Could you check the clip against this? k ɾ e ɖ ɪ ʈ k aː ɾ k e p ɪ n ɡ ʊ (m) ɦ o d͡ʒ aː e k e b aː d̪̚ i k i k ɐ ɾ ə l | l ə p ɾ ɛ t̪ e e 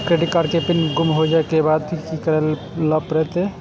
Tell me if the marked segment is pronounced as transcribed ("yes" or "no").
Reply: yes